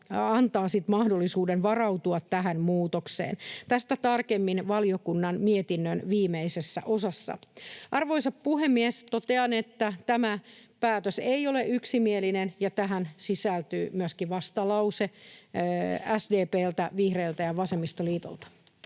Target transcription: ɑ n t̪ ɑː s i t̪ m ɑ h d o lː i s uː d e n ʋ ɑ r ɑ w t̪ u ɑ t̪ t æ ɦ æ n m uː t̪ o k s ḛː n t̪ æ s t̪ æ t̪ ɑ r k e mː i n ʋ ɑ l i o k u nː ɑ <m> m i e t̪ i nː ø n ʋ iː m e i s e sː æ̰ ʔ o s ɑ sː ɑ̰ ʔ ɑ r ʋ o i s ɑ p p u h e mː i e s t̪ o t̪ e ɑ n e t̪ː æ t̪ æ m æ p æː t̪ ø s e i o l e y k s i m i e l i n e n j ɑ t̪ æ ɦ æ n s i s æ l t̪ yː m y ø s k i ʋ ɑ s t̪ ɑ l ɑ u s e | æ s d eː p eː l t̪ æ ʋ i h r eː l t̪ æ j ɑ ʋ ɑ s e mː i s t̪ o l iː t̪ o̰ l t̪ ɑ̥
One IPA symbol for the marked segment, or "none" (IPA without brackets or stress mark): n